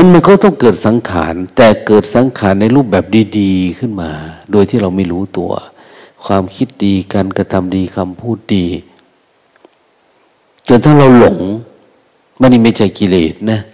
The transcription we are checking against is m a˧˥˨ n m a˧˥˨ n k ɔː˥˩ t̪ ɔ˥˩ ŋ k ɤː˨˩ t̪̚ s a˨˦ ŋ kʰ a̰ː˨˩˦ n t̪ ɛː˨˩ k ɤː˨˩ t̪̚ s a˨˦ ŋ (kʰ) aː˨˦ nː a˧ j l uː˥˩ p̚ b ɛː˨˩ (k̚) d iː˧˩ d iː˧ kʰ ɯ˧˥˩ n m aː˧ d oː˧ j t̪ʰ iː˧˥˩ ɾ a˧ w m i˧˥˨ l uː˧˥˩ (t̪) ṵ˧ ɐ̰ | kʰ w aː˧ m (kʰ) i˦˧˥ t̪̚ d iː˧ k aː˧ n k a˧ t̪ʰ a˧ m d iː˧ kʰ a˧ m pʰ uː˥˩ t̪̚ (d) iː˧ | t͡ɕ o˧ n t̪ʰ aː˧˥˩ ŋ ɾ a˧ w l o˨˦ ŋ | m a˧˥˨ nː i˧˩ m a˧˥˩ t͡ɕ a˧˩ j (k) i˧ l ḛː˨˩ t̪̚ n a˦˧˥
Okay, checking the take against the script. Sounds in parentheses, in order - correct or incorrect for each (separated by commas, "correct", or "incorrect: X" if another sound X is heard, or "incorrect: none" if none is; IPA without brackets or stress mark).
correct, incorrect: p̚, correct, correct, correct, correct